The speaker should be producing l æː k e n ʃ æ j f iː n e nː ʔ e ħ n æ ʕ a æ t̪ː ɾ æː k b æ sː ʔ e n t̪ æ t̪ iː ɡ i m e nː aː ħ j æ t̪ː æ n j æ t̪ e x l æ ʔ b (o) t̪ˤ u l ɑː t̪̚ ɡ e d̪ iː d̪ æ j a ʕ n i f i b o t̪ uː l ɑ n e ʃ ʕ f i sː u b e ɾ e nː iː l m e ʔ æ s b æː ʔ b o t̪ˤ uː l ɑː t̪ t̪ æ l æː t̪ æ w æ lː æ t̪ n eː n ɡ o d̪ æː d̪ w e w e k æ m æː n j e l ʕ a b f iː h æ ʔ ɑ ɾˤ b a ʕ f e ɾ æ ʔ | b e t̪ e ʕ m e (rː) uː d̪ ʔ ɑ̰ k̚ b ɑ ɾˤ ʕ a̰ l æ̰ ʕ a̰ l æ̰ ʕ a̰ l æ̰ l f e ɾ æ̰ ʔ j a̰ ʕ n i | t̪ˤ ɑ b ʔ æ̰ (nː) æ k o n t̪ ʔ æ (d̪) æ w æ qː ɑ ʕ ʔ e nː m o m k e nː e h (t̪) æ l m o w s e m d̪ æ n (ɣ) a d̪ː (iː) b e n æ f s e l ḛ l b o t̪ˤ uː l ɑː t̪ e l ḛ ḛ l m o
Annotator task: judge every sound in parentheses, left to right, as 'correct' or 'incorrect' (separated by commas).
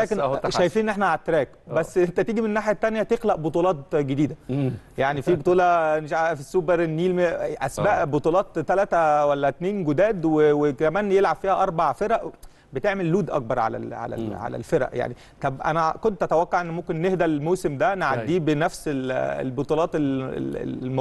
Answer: correct, incorrect, incorrect, incorrect, incorrect, incorrect, correct